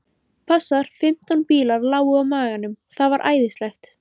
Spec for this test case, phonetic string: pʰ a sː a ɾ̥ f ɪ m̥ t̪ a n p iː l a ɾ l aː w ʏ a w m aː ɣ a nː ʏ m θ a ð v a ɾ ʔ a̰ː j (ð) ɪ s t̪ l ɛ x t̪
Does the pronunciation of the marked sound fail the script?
no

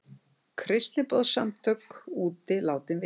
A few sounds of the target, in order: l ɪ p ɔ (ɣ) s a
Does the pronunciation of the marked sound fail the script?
yes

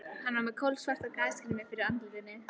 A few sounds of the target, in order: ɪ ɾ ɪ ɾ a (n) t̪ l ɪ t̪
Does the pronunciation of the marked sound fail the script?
no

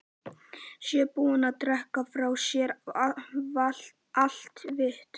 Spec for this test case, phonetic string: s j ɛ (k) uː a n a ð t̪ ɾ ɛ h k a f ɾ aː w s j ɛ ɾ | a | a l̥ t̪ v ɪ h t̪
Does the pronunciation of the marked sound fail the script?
yes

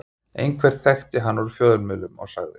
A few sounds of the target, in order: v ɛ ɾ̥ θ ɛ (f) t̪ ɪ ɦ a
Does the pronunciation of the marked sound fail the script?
yes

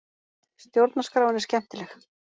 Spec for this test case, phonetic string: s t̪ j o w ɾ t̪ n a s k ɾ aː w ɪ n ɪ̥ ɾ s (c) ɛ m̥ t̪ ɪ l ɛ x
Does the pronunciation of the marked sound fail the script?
no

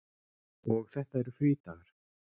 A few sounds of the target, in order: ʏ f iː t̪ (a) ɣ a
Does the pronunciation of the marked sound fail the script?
no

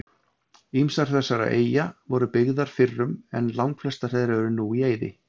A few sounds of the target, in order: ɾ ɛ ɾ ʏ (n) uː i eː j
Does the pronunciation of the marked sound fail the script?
no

